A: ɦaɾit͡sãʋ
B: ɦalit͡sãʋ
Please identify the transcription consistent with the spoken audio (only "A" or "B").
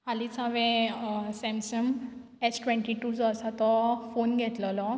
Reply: B